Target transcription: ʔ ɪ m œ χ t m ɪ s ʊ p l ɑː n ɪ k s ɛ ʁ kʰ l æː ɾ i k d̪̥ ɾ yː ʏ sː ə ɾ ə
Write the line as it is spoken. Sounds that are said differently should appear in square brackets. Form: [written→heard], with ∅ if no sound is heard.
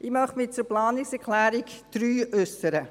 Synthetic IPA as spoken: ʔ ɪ m œ χ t m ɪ [s→t͡s] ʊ p l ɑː n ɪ k s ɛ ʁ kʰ l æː ɾ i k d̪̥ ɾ yː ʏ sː ə ɾ ə